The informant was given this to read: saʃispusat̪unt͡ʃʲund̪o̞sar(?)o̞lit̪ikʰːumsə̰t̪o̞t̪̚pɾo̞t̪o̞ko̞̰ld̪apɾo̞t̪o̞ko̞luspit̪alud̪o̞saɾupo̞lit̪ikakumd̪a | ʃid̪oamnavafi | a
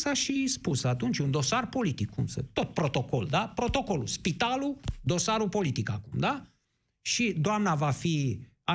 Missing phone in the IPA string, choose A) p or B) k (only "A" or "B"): A